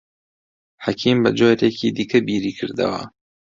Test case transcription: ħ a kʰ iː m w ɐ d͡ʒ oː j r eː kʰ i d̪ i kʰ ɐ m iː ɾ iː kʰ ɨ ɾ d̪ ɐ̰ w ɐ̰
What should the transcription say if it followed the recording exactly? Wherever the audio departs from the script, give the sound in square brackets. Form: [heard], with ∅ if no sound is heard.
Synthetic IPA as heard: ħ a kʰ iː m [b] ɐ d͡ʒ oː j [ɾ] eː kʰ i d̪ i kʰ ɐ [b] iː ɾ iː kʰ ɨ ɾ d̪ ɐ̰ w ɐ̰